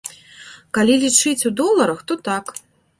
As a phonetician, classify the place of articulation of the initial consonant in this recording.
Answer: velar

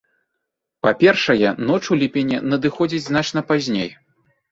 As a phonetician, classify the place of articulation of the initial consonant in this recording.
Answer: labial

